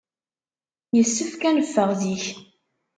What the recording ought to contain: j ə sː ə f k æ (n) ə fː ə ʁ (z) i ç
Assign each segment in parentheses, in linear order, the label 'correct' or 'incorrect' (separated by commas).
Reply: correct, incorrect